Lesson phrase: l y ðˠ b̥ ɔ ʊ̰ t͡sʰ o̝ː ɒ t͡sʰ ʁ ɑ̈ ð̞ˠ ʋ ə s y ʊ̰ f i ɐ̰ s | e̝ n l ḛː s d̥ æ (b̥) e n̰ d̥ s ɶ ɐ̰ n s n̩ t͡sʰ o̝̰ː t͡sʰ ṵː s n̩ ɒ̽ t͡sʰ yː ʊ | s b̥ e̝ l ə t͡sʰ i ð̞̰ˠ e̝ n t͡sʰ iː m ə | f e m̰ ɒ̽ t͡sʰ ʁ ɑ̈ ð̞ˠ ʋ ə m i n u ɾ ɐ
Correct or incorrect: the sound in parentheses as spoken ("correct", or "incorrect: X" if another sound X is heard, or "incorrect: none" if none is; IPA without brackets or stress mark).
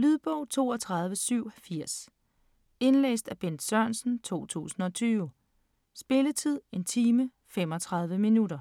correct